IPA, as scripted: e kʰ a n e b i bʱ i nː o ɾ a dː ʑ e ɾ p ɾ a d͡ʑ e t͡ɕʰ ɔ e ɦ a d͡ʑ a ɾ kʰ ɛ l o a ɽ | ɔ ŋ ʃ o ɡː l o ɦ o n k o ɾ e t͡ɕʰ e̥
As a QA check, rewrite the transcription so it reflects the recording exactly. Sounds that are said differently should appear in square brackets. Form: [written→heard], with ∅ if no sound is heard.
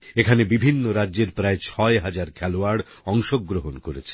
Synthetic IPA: e kʰ a n e b i bʱ i nː o ɾ a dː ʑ e ɾ p ɾ a [d͡ʑ→∅] e t͡ɕʰ ɔ e ɦ a d͡ʑ a ɾ kʰ ɛ l o a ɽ | ɔ ŋ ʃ o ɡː [l→ɾ] o ɦ o n k o ɾ e t͡ɕʰ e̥